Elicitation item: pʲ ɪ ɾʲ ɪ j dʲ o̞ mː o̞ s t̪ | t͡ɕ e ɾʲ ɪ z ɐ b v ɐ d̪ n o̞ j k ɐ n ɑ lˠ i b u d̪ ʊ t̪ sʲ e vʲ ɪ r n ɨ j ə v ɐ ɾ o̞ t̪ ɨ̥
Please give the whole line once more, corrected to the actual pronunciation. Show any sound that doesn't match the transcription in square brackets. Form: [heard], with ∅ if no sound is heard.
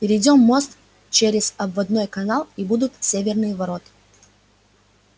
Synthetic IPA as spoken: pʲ ɪ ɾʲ ɪ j dʲ o̞ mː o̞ s t̪ | t͡ɕ e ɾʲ ɪ z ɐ b v ɐ d̪ n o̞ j k ɐ n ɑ lˠ i b u d̪ ʊ t̪ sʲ e vʲ ɪ r n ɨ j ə v ɐ ɾ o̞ t̪ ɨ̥